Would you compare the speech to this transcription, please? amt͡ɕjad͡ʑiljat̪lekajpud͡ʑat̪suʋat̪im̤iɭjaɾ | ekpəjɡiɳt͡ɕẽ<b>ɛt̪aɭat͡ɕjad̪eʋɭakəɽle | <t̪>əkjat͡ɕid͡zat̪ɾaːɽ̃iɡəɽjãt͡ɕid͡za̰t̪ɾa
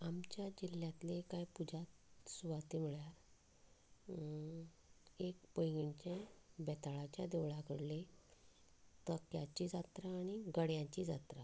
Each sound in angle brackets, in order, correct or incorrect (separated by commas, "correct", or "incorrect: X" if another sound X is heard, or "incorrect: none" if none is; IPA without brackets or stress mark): correct, correct